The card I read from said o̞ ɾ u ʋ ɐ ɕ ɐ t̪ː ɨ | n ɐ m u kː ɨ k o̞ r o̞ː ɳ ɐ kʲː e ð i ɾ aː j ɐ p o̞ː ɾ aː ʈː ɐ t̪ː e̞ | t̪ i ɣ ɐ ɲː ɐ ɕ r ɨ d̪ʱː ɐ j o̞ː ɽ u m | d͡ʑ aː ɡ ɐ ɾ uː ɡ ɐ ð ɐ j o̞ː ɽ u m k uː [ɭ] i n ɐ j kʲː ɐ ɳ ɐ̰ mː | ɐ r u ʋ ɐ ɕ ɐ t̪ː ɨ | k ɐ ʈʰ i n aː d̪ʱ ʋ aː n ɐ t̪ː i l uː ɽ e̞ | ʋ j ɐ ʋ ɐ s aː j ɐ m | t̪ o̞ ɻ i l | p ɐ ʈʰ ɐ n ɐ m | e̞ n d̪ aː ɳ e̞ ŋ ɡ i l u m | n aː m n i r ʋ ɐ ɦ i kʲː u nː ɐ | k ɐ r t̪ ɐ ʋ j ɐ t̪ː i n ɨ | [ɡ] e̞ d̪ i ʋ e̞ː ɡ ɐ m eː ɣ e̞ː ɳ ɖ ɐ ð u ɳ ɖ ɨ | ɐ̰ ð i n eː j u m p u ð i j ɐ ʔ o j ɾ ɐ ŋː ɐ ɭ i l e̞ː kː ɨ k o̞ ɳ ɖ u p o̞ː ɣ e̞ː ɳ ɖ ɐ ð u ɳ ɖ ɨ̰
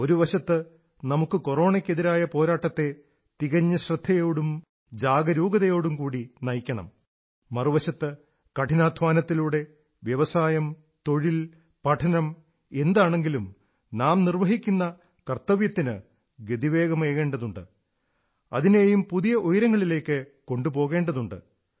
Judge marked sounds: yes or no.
no, yes

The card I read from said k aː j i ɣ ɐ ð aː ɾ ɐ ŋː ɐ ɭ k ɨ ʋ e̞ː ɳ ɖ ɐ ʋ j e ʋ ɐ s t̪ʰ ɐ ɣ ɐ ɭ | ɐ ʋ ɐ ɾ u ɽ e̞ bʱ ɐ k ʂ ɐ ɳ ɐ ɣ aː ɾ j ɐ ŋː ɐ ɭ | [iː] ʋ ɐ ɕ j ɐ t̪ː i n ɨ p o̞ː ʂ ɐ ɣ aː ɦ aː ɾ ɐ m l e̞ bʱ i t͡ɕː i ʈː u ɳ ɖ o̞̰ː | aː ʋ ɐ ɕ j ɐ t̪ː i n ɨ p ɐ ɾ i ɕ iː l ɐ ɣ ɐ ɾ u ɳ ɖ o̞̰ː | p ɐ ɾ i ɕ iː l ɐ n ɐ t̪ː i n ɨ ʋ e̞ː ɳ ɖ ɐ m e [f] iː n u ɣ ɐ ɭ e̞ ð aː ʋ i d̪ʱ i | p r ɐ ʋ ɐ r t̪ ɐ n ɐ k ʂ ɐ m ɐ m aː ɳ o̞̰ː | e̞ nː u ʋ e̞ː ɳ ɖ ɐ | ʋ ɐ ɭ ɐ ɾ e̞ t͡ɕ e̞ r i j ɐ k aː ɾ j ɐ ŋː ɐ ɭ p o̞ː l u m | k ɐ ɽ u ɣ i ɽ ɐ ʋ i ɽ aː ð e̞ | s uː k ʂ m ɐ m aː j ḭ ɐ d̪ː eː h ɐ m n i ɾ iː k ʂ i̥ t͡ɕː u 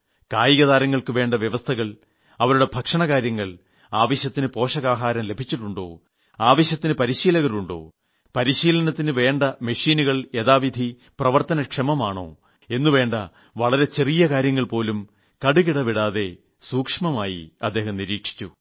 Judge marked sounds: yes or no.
no, no

